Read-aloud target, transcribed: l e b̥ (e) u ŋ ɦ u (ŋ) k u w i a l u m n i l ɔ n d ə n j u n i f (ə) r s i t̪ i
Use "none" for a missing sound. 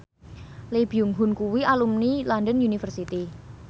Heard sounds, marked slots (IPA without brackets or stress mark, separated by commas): i, n, ə